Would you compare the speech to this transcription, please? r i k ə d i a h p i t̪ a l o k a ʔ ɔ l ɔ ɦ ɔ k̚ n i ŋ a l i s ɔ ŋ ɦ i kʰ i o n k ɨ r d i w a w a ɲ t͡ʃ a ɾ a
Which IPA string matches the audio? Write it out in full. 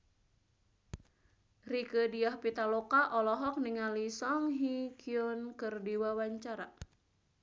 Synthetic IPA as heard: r i k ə d i a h p i t̪ a l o k a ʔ ɔ l ɔ ɦ ɔ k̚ n i ŋ a l i s ɔ ŋ ɦ i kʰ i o n k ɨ r d i w a w a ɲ t͡ʃ a ɾ a